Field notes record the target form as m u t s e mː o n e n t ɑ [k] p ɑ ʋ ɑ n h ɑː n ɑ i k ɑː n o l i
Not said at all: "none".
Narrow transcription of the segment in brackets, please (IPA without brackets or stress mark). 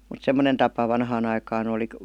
none